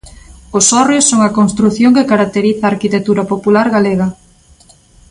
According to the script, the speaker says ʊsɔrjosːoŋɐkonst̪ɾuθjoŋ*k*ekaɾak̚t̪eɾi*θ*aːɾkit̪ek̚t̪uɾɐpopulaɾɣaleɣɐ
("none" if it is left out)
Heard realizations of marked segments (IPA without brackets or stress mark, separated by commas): k, θ